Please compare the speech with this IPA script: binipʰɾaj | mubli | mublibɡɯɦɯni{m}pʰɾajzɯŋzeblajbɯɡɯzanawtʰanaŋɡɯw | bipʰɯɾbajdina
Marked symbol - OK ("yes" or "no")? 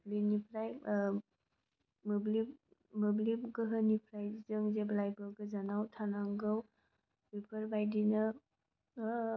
no